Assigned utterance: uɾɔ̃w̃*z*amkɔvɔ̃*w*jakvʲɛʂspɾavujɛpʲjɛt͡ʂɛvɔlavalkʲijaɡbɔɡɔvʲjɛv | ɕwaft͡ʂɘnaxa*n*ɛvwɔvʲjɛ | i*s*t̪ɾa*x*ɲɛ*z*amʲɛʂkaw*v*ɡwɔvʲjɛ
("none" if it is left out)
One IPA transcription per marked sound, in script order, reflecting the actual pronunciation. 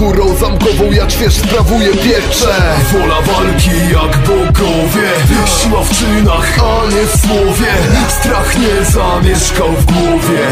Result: z, w, ɲ, s, x, z, v

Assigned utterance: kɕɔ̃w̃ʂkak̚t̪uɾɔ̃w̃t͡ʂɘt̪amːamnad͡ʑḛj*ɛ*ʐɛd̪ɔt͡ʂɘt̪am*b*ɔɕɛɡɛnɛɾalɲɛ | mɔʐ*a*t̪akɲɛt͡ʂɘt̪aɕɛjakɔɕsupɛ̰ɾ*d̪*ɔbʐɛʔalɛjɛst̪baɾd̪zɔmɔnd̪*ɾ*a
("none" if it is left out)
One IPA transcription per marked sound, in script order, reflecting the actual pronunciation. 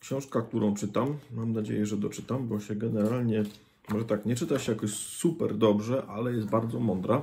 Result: ɛ, b, ɛ, d̪, ɾ

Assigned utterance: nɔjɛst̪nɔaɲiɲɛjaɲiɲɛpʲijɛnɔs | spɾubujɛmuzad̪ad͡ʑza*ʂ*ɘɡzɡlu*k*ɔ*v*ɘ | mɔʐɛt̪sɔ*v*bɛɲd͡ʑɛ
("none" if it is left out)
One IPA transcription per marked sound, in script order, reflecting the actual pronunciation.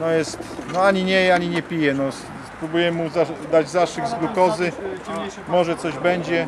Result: ʂ, k, z, ʑ

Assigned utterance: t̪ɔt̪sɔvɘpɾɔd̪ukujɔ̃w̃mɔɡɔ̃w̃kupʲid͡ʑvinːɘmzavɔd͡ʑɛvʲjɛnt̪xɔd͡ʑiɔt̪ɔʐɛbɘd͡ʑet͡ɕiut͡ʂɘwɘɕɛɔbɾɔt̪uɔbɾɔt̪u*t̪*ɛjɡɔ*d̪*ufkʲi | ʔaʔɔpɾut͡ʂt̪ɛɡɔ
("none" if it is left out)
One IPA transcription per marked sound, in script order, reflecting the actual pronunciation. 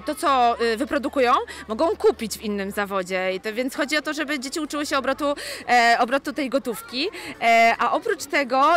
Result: t̪, t̪

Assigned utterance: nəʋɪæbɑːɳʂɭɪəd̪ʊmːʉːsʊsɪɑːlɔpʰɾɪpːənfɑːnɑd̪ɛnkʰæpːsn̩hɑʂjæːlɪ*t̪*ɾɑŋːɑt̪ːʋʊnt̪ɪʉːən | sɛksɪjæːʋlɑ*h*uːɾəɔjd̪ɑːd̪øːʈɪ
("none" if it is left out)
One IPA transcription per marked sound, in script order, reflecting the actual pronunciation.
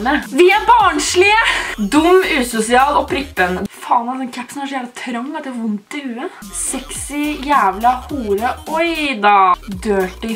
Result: t̪ʰ, h

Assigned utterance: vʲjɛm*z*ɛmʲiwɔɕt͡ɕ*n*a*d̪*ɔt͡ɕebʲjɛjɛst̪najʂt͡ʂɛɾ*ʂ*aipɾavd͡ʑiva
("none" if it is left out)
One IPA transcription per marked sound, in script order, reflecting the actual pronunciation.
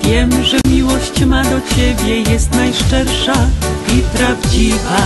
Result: ʐ, m, d̪, ʂ

